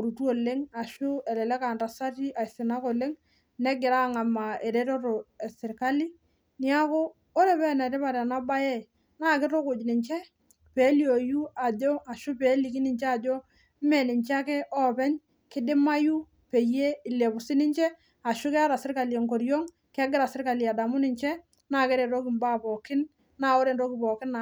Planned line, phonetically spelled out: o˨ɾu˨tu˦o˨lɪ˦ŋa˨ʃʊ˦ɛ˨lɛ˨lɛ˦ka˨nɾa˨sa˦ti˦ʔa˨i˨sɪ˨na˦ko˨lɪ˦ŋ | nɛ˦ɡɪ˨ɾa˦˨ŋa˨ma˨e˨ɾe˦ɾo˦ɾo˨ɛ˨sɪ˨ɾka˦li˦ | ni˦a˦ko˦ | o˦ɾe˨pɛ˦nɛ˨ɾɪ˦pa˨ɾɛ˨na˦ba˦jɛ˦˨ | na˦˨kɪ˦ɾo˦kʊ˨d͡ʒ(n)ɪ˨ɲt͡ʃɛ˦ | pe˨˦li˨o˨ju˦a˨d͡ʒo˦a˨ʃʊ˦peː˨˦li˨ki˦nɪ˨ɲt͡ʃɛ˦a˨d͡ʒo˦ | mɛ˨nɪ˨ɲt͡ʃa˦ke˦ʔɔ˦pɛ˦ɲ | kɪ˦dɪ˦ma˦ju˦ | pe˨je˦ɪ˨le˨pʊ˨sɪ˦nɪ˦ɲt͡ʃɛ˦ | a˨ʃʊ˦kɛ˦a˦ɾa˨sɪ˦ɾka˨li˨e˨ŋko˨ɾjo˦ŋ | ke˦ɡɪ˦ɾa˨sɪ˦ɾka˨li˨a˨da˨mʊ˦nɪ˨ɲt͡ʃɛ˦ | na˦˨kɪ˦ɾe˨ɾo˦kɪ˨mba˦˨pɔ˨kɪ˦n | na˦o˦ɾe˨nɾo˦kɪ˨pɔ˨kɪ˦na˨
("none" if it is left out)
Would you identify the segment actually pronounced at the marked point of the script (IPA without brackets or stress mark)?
n